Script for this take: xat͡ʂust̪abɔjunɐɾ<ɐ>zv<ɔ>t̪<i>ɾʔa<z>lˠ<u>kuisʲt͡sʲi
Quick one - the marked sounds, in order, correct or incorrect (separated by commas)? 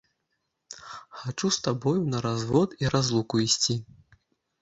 incorrect, correct, correct, correct, correct